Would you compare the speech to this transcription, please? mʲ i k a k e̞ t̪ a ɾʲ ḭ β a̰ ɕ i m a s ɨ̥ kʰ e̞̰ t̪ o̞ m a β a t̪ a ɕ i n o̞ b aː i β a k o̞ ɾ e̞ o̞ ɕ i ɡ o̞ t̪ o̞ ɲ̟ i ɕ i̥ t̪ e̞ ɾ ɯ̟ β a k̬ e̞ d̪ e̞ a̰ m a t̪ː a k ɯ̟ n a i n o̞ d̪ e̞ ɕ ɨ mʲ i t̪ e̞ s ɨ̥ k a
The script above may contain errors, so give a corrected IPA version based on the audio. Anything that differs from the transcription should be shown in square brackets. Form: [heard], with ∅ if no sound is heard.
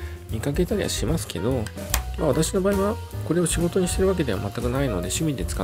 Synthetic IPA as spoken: mʲ i k a k e̞ t̪ a ɾʲ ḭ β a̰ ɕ i m a s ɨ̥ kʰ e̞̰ [d̪] o̞ m a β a t̪ a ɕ i n o̞ b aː i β a k o̞ ɾ e̞ o̞ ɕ i ɡ o̞ t̪ o̞ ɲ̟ i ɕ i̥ t̪ e̞ ɾ ɯ̟ β a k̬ e̞ d̪ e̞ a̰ m a t̪ː a k ɯ̟ n a i n o̞ d̪ e̞ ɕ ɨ mʲ i [d̪] e̞ [t͡s] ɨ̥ k a